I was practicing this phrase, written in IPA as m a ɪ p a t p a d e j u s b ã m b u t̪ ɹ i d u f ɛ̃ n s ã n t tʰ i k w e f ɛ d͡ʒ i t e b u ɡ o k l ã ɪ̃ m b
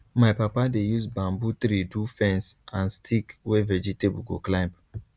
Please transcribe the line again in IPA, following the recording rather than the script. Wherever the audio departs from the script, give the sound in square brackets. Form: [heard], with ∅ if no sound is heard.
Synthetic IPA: m a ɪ p a [∅] p a d e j u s b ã m b u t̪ [ɾ] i d u f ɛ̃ n s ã n [s] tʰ i k w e [v] ɛ d͡ʒ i t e b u ɡ o k l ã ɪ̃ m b